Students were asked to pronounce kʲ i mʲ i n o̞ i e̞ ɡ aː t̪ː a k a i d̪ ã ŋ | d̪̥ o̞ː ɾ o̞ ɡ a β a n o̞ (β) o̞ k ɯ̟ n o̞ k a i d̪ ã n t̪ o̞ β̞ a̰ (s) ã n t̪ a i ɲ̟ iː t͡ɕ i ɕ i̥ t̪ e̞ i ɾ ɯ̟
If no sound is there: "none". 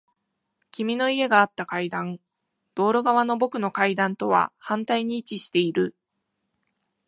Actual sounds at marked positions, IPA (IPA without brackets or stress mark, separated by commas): b, h